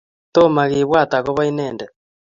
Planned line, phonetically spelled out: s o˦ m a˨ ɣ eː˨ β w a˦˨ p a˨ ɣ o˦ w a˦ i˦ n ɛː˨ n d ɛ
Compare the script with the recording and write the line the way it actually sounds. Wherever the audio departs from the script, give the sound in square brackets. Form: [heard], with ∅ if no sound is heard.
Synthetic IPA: [t] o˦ m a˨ ɣ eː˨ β w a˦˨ [t] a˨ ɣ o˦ [β] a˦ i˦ n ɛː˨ n d ɛ